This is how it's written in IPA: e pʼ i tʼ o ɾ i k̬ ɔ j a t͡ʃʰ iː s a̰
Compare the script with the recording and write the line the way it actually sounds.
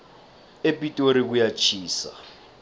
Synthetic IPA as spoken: e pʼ i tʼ o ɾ i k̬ u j a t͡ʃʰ iː s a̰